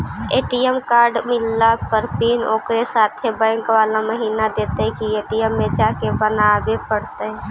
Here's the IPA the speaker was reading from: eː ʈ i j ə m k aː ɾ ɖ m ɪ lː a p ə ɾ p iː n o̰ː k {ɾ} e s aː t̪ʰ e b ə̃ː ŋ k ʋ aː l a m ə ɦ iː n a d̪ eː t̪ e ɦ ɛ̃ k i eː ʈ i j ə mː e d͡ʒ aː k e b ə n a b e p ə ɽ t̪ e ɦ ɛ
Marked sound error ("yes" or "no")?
no